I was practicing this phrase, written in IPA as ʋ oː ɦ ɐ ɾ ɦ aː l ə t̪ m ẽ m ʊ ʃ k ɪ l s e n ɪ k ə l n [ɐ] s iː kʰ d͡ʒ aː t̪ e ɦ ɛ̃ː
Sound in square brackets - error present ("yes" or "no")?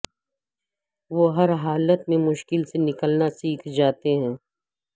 yes